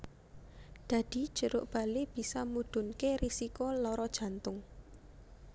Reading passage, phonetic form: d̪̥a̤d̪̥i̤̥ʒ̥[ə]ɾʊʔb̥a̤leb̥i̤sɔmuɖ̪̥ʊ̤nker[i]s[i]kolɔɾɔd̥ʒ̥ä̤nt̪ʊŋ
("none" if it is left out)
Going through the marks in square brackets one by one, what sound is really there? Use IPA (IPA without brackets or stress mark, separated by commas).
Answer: ə, i, i